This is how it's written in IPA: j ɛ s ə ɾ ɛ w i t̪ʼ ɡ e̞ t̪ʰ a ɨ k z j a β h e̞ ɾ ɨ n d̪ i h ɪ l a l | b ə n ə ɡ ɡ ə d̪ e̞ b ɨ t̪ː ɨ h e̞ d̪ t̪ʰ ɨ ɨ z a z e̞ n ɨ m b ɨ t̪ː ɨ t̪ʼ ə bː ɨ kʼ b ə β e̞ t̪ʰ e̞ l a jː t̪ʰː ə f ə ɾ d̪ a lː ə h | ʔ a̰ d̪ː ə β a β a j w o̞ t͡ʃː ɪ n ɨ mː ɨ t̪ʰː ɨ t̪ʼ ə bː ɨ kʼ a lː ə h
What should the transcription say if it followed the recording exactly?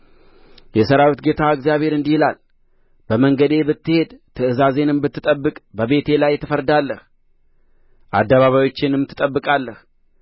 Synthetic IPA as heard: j ɛ s ə ɾ a w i t̪ ɡ e̞ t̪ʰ a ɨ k z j a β h e̞ ɾ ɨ n d̪ i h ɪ l a l | b ə m ə ŋ ɡ ə d̪ e̞ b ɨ t̪ː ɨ h e̞ d̪ t̪ʰ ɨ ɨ z a z e̞ n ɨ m b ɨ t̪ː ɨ t̪ʼ ə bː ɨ kʼ b ə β e̞ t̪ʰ e̞ l a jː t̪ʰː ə f ə ɾ d̪ a lː ə h | ʔ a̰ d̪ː ə β a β a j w o̞ t͡ʃː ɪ n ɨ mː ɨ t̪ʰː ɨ t̪ʼ ə bː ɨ kʼ a lː ə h